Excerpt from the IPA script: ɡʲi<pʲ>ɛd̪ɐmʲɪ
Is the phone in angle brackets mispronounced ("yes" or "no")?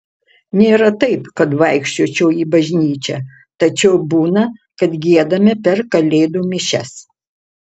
yes